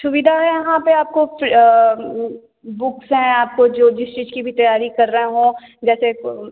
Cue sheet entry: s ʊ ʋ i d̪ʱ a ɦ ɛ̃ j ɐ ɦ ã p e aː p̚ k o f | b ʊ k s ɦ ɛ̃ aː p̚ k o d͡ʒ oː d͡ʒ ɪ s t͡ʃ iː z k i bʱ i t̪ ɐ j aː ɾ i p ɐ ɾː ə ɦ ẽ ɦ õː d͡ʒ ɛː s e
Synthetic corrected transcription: s ʊ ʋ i d̪ʱ a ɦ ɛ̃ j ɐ ɦ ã p e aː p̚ k o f | b ʊ k s ɦ ɛ̃ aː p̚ k o d͡ʒ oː d͡ʒ ɪ s t͡ʃ iː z k i bʱ i t̪ ɐ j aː ɾ i k ɐ ɾː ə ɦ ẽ ɦ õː d͡ʒ ɛː s e